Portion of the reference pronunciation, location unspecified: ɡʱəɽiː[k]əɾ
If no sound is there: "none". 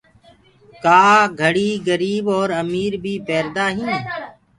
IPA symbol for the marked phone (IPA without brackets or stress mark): ɡ